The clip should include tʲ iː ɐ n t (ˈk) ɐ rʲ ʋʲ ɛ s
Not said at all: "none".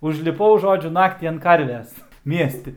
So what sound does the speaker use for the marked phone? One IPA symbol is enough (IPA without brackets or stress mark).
k